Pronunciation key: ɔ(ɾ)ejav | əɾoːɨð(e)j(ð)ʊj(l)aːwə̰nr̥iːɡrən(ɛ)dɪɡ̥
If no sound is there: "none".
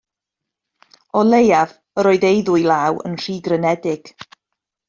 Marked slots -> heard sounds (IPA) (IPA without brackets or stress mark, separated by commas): l, e, ð, l, ɛ